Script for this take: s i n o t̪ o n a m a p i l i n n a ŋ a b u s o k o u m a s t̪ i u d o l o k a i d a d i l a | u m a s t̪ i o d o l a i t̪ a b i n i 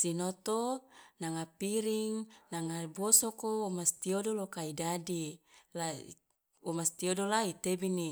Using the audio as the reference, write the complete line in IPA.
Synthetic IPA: s i n o t̪ o n a ŋ a p i ɾ i ŋ n a ŋ a b o s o k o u m a s t̪ i o d o l o k a i d a d i l a | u m a s t̪ i o d o l a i t̪ e b i n i